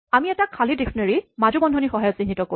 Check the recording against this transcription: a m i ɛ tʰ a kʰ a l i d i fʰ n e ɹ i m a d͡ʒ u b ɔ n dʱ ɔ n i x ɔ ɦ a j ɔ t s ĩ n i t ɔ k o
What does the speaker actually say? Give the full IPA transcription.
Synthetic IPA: a m i ɛ t a kʰ a l i d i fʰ n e ɹ i m a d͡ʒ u b ɔ n dʱ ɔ n i x ɔ ɦ a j ɔ t s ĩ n i t ɔ k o